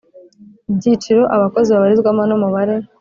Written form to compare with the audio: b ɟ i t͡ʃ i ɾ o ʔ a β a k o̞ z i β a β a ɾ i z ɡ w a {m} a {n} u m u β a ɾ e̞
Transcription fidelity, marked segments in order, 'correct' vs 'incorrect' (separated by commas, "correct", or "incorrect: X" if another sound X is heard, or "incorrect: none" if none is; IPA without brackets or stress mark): correct, correct